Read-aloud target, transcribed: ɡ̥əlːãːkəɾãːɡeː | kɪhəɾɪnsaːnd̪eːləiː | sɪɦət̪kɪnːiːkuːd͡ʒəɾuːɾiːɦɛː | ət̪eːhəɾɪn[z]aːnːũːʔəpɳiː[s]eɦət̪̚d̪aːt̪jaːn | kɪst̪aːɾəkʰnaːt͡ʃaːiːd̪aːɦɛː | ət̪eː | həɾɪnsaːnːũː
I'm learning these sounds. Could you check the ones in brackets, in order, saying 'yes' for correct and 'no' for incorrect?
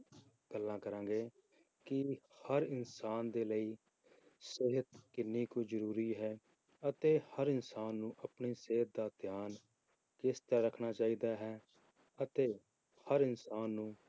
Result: no, yes

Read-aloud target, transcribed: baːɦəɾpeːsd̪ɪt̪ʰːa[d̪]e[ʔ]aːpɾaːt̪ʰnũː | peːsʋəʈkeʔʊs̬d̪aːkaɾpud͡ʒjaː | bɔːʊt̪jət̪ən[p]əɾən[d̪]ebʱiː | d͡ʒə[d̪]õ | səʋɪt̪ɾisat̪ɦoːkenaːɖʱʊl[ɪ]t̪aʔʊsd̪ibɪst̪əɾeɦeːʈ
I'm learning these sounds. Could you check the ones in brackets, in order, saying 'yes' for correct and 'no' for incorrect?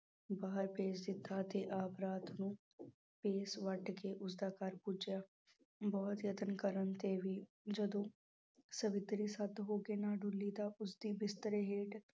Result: no, yes, no, no, yes, no

